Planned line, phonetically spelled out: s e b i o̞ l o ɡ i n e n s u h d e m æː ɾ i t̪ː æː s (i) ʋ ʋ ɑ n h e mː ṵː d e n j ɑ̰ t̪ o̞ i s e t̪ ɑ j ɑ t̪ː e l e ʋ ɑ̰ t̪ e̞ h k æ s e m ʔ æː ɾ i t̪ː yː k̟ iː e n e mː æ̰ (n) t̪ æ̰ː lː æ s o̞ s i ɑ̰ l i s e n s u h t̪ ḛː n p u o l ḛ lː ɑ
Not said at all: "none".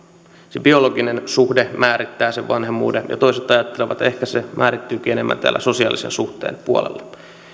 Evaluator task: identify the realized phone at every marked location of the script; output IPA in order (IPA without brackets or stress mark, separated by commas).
e, n